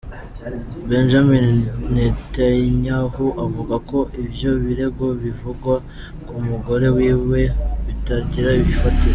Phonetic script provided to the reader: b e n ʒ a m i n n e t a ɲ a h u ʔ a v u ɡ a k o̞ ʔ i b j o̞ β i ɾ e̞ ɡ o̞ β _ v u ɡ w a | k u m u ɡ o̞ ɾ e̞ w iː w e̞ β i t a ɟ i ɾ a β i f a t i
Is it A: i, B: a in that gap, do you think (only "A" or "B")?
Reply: A